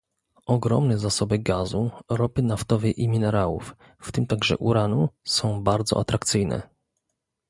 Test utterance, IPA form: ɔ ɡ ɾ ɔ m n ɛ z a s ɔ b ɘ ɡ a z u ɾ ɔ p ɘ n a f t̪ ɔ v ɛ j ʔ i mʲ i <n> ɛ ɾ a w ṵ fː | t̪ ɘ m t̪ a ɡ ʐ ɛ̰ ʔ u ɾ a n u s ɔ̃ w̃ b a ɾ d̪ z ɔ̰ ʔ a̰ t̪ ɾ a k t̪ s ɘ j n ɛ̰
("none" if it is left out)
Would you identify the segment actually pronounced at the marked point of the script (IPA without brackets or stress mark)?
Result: n